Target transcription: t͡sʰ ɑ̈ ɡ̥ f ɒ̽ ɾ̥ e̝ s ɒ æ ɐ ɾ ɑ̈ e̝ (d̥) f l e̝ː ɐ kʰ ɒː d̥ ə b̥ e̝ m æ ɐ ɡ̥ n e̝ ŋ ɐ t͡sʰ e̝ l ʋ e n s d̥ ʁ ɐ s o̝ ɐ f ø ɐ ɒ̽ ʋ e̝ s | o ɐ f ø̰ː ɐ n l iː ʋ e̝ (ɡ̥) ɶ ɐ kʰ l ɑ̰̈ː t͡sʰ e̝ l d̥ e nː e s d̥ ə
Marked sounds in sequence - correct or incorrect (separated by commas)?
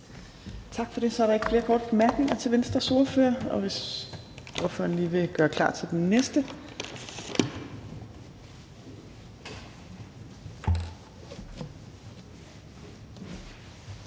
incorrect, correct